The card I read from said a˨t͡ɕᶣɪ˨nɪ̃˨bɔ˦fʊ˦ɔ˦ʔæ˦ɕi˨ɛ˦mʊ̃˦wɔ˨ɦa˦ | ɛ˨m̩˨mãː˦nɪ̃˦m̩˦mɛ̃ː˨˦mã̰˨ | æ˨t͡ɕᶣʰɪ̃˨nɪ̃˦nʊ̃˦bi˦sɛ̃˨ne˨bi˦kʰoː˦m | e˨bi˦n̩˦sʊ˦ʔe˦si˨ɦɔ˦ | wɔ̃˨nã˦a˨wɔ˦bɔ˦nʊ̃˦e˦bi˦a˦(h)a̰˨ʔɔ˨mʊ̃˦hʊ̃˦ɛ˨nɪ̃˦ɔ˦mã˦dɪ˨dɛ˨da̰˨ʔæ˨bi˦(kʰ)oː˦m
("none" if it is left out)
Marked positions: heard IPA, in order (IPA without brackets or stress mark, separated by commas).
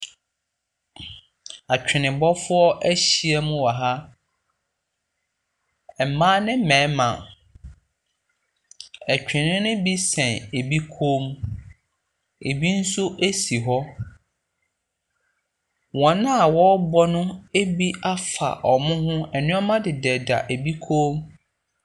f, kʰ